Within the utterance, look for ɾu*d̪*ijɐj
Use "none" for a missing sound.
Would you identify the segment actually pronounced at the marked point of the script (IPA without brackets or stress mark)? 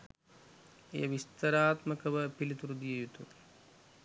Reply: d̪